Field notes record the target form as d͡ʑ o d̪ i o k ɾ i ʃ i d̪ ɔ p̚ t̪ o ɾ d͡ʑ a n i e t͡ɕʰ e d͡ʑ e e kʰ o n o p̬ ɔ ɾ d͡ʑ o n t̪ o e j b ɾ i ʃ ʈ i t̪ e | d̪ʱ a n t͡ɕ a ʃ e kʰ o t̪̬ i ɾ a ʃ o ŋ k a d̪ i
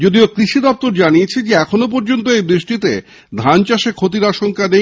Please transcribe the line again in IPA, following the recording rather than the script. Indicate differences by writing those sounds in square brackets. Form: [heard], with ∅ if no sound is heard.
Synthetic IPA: d͡ʑ o d̪ i o k ɾ i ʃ i d̪ ɔ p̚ t̪ o ɾ d͡ʑ a n i e t͡ɕʰ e d͡ʑ e [ɛ] kʰ o n o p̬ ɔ ɾ d͡ʑ o n t̪ o e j b ɾ i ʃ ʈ i t̪ e | d̪ʱ a n t͡ɕ a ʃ e kʰ o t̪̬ i ɾ a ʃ o ŋ k a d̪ [e]